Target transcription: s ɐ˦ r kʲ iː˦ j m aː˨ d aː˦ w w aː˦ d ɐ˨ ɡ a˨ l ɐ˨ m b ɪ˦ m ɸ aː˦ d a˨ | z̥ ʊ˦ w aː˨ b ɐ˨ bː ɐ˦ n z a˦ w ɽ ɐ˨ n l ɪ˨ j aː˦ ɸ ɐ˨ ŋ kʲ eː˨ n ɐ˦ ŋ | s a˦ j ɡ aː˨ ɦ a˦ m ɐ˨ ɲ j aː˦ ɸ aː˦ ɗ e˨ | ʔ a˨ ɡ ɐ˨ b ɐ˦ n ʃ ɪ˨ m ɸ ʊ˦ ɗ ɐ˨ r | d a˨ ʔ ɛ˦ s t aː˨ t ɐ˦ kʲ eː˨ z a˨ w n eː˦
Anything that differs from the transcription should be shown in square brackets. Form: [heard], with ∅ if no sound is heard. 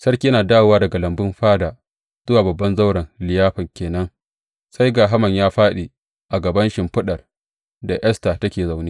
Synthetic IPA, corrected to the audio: s ɐ˦ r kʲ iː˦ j [n] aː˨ d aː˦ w w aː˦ d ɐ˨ ɡ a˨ l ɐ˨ m b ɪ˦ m ɸ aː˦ d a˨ | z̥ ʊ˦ w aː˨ b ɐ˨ bː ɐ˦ n z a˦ w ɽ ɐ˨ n l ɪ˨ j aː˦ ɸ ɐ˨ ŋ kʲ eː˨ n ɐ˦ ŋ | s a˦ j ɡ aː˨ ɦ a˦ m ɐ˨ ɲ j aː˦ ɸ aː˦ ɗ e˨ | ʔ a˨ ɡ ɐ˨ b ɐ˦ n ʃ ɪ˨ m ɸ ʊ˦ ɗ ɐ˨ r | d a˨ ʔ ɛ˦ s t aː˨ t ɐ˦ kʲ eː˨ z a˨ w n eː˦

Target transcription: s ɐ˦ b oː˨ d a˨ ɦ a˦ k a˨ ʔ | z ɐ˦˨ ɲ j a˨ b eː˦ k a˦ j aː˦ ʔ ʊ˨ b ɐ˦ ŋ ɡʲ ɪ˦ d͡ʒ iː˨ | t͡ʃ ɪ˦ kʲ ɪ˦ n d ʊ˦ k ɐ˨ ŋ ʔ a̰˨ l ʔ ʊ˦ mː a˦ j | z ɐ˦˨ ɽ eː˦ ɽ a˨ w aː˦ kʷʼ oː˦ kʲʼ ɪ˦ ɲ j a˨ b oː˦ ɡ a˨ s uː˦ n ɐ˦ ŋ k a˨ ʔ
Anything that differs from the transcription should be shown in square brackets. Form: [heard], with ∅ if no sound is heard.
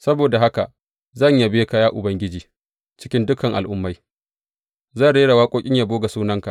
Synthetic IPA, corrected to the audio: s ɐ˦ b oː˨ d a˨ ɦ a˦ k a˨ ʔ | z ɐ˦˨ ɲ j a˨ b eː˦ k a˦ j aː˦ ʔ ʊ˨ b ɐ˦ ŋ ɡʲ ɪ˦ d͡ʒ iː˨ | t͡ʃ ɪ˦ kʲ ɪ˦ n d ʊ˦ k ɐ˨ ŋ ʔ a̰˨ l ʔ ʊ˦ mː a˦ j | z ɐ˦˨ ɽ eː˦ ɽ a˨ w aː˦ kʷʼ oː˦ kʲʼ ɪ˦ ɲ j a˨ b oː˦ ɡ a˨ s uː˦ n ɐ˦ ŋ k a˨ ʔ

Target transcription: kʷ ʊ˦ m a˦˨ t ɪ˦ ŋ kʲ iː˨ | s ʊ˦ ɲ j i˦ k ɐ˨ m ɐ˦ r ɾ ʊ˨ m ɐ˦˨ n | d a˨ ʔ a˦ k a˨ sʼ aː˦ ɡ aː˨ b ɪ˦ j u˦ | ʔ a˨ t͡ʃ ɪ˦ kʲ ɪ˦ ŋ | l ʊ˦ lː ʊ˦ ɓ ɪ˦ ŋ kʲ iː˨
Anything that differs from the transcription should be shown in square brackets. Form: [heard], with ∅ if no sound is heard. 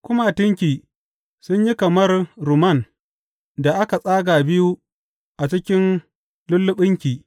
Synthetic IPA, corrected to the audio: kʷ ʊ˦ m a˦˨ t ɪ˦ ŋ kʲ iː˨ | s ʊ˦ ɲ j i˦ k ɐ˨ m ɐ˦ r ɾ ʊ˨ m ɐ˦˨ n | d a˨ ʔ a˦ k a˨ sʼ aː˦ ɡ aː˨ b ɪ˦ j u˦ | ʔ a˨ t͡ʃ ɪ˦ kʲ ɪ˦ [n] | l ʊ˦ lː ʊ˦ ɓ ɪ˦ ŋ kʲ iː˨

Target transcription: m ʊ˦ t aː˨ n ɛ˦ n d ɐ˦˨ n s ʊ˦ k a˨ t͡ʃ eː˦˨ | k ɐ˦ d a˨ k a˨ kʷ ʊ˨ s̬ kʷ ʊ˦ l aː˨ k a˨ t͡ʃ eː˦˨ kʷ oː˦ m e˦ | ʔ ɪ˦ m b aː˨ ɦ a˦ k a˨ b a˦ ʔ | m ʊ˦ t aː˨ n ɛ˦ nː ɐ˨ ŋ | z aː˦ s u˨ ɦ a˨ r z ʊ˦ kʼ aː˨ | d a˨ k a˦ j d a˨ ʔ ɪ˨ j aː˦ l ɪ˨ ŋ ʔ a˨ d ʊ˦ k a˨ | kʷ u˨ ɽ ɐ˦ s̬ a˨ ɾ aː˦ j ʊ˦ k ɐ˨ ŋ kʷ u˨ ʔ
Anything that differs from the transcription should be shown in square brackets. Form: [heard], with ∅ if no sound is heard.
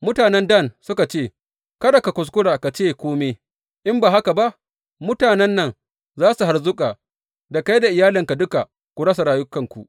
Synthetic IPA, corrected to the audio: m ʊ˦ t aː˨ n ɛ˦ n d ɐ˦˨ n s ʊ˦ k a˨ t͡ʃ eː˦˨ | k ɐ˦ d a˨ k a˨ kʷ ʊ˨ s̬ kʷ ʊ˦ [ɽ] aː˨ k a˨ t͡ʃ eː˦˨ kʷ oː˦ m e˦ | ʔ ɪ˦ m b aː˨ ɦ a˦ k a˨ b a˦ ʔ | m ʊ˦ t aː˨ n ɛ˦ nː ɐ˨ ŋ | z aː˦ s u˨ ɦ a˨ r z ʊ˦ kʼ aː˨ | d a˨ k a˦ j d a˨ ʔ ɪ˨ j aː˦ l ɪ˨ ŋ [k] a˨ d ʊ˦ k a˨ | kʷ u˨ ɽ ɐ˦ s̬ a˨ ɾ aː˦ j ʊ˦ k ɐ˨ ŋ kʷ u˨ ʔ

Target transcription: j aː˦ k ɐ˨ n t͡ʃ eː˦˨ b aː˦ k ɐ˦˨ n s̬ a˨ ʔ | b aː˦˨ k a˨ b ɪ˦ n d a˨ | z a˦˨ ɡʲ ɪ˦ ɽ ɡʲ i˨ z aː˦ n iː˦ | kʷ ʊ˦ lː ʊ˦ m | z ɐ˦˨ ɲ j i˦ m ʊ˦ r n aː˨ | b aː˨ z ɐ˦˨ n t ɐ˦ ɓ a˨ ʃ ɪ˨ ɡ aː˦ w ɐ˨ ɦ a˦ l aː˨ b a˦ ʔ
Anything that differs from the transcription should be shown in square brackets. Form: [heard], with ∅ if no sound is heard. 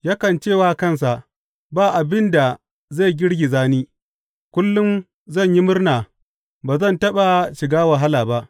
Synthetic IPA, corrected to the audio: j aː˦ k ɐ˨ n t͡ʃ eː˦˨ [w] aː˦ k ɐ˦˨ n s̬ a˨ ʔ | b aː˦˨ [ʔ] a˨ b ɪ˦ n d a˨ | z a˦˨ ɡʲ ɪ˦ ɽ ɡʲ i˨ z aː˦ n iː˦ | kʷ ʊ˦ lː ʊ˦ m | z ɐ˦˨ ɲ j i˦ m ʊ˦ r n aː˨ | b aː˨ z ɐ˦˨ n t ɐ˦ ɓ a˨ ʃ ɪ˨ ɡ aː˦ w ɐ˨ ɦ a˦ l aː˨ b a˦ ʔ

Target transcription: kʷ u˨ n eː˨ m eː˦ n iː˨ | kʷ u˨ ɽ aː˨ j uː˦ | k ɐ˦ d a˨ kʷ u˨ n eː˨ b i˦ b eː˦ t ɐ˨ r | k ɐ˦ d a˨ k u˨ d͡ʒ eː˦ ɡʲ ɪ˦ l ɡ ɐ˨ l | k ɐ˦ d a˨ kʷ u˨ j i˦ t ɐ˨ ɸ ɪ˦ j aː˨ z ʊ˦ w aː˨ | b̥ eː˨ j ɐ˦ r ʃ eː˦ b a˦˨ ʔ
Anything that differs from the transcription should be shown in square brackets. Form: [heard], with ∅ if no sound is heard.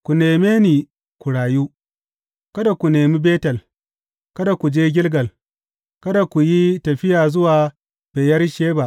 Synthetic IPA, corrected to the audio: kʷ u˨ n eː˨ m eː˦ n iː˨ | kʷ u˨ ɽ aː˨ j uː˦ | k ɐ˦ d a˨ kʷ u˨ n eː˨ [m] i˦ b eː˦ t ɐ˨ [l] | k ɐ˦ d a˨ k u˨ d͡ʒ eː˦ ɡʲ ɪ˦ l ɡ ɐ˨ l | k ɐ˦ d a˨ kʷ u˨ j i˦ t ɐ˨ ɸ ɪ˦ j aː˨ z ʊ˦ w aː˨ | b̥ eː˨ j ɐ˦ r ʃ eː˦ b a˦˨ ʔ

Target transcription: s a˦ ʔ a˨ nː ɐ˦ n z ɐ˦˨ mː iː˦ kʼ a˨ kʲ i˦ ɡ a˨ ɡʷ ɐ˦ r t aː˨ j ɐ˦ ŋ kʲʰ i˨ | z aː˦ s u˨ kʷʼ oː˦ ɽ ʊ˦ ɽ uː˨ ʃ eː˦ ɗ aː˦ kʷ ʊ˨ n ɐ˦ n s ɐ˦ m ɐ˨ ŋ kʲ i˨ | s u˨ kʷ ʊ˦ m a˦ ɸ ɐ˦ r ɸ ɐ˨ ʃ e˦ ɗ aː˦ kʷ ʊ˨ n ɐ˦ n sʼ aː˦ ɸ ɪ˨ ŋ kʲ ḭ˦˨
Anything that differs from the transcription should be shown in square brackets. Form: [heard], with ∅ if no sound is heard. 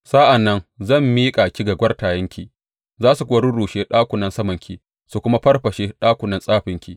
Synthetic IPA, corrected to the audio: s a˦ ʔ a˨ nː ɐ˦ n z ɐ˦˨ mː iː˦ kʼ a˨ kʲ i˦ ɡ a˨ ɡʷ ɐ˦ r t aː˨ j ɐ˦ ŋ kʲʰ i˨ | z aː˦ s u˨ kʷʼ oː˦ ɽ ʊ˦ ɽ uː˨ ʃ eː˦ ɗ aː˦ kʷ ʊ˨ n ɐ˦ n s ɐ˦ m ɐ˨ ŋ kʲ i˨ | s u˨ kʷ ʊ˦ m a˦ ɸ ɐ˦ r ɸ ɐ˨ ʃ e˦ ɗ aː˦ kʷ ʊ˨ n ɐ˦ n sʼ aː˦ ɸ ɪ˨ ŋ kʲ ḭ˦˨

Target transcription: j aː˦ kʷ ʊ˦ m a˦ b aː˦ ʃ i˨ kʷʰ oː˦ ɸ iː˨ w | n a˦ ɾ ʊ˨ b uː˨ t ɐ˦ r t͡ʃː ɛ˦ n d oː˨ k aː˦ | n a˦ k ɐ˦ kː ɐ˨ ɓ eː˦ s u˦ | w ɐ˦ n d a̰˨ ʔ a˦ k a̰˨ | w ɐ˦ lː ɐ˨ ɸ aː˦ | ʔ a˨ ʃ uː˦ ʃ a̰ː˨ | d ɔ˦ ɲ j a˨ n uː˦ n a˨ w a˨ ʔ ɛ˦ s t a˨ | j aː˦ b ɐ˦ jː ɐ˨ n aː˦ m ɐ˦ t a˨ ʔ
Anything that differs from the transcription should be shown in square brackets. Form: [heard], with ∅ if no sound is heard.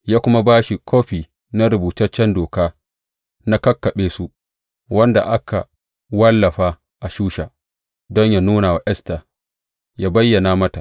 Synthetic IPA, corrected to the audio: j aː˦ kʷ ʊ˦ m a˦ b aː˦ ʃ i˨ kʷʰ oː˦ ɸ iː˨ [∅] | n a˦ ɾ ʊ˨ b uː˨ t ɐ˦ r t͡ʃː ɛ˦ n d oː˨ k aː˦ | n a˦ k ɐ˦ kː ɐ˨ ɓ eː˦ s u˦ | w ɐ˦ n d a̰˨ ʔ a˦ k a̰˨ | w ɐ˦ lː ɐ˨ ɸ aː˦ | ʔ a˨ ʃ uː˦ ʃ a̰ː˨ | d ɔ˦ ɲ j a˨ n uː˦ n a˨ w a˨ ʔ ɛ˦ s t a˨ | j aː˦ b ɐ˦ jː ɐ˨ n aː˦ m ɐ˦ t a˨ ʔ

